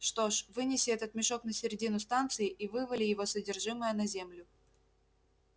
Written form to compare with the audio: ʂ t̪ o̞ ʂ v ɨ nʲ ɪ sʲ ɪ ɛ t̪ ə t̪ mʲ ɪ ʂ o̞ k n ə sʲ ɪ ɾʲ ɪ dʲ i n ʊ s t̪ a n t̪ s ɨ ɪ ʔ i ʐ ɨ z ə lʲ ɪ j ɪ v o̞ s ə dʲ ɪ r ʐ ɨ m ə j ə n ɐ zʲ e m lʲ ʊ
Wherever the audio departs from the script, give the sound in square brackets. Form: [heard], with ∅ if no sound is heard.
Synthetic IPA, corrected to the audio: ʂ t̪ o̞ ʂ v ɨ nʲ ɪ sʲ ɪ ɛ t̪ ə t̪ mʲ ɪ ʂ o̞ k n ə sʲ ɪ ɾʲ ɪ dʲ i n ʊ s t̪ a n t̪ s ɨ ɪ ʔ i [v] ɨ [v] ə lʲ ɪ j ɪ v o̞ s ə dʲ ɪ r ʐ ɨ m ə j ə n ɐ zʲ e m lʲ ʊ